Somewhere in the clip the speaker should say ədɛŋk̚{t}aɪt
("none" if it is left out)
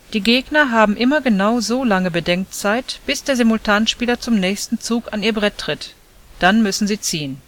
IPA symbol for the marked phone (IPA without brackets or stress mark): t͡s